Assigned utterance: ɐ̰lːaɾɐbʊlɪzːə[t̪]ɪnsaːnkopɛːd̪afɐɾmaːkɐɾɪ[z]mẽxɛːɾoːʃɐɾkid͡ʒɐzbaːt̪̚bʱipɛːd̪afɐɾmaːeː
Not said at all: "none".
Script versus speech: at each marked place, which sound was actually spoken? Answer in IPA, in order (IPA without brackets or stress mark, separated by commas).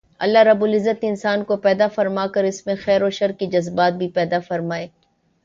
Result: t̪, s